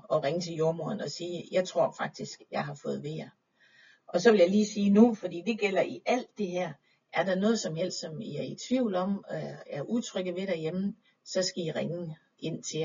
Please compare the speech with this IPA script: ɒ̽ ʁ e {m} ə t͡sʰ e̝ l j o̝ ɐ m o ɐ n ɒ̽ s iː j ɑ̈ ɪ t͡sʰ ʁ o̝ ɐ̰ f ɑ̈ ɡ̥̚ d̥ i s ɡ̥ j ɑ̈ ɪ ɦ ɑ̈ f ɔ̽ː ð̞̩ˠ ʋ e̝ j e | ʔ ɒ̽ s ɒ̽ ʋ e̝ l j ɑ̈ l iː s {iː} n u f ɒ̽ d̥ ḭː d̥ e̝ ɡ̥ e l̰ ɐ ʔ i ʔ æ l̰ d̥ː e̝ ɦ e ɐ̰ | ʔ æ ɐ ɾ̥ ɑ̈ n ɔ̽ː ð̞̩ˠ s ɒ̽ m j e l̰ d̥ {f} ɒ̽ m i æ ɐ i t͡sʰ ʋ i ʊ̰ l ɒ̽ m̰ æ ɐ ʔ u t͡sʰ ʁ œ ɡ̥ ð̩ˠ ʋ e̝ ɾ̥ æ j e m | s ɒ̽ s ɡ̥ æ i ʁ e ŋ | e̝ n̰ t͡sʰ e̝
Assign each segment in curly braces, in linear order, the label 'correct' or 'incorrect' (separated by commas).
incorrect, correct, incorrect